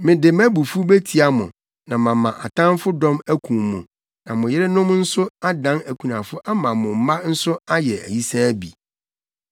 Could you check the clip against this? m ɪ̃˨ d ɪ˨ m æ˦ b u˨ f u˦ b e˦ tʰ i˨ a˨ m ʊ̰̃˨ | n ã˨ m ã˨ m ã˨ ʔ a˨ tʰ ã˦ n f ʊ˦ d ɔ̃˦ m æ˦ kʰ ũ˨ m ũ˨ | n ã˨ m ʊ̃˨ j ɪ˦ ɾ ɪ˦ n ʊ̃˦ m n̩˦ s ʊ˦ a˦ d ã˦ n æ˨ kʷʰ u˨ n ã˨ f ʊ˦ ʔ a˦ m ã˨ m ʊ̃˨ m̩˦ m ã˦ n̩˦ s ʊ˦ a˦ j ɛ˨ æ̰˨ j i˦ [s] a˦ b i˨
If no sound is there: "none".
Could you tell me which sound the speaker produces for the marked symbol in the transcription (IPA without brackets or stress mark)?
s